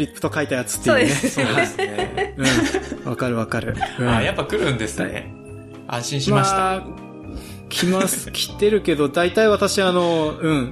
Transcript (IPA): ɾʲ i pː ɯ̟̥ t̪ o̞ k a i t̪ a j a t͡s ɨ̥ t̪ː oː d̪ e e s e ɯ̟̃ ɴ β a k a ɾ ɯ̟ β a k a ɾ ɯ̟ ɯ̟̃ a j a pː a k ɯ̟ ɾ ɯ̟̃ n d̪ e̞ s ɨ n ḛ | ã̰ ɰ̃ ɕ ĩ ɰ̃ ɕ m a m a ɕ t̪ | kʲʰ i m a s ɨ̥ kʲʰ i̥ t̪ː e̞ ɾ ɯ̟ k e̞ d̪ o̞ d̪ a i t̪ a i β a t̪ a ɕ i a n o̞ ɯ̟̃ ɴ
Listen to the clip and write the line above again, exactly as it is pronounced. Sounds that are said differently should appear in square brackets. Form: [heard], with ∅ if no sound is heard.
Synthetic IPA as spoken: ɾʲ i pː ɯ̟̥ t̪ o̞ k a i t̪ a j a t͡s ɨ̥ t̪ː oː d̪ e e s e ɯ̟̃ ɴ β a k a ɾ ɯ̟ β a k a ɾ ɯ̟ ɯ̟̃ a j a pː a k ɯ̟ ɾ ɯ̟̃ n d̪ e̞ s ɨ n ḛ | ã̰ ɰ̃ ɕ ĩ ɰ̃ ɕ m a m a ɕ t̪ | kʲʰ i m a s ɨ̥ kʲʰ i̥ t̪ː e̞ ɾ ɯ̟ k e̞ d̪ o̞ d̪ a i t̪ a i β a t̪ a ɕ i a n o̞ ɯ̟̃ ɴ